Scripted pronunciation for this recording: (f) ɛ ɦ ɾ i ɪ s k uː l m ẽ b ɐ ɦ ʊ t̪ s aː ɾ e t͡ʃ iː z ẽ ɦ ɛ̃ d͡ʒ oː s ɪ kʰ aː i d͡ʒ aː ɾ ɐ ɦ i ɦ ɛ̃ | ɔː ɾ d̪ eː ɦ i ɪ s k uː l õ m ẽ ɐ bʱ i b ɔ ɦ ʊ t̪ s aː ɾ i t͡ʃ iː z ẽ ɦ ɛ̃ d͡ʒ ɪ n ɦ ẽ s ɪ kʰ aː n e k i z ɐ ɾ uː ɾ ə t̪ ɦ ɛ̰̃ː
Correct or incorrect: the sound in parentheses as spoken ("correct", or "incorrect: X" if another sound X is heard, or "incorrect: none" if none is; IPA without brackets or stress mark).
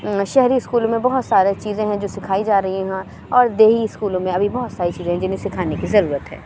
incorrect: ʃ